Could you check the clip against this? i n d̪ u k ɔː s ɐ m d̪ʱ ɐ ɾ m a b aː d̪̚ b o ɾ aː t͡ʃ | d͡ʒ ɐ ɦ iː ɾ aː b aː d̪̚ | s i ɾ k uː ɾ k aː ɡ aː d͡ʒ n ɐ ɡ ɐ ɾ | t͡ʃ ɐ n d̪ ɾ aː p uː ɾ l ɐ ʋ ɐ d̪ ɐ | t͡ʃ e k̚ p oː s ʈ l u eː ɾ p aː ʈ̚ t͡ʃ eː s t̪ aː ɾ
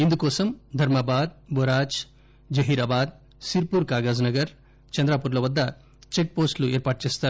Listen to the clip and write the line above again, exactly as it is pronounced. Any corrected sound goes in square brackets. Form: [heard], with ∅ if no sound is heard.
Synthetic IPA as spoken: i n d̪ u k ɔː s ɐ m d̪ʱ ɐ ɾ m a b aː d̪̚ b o ɾ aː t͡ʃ | d͡ʒ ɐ ɦ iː ɾ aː b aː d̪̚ | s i ɾ [p] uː ɾ k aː ɡ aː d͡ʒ n ɐ ɡ ɐ ɾ | t͡ʃ ɐ n d̪ ɾ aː p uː ɾ l ɐ ʋ ɐ [d̪ː] ɐ | t͡ʃ e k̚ p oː s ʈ l u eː ɾ p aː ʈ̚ t͡ʃ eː s t̪ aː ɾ